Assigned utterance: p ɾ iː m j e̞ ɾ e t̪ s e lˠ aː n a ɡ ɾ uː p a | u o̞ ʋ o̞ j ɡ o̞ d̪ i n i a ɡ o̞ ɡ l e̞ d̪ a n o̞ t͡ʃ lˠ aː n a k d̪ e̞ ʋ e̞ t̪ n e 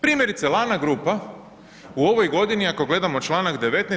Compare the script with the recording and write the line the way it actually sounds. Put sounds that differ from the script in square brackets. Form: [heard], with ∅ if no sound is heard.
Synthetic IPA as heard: p ɾ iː m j e̞ ɾ [i] t̪ s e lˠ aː n a ɡ ɾ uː p a | u o̞ ʋ o̞ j ɡ o̞ d̪ i n i a [k] o̞ ɡ l e̞ d̪ a [m] o̞ t͡ʃ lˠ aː n a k d̪ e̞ ʋ e̞ t̪ n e